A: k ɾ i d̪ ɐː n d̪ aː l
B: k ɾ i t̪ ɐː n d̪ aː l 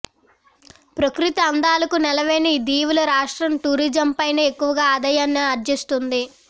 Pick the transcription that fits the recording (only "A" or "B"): B